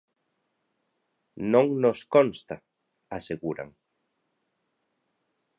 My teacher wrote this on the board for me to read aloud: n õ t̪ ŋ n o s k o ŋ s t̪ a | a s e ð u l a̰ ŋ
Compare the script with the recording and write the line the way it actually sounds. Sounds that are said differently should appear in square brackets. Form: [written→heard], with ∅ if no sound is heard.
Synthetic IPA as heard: n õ [t̪→∅] ŋ n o s k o [ŋ→n] s t̪ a | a s e [ð→ɣ] u [l→ɾ] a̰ ŋ